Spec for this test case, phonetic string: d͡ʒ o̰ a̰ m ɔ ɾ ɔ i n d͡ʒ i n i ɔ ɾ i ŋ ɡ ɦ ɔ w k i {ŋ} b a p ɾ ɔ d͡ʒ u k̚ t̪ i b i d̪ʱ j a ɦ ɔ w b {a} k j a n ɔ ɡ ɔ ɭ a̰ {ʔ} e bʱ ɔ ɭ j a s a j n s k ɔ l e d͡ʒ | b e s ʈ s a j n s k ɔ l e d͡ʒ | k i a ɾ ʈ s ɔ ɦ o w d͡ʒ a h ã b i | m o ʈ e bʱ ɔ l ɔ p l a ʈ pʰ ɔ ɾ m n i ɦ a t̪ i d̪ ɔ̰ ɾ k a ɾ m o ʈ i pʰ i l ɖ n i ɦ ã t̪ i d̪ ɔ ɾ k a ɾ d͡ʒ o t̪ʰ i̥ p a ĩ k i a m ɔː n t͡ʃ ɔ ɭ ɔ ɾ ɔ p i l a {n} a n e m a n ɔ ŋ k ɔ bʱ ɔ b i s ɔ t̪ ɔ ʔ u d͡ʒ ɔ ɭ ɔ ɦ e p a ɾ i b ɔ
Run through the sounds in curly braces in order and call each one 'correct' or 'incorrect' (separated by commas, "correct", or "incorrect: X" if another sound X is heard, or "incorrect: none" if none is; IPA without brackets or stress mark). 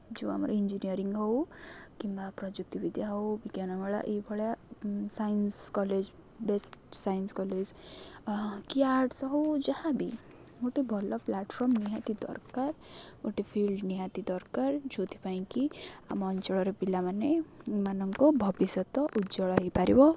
incorrect: m, incorrect: i, correct, incorrect: m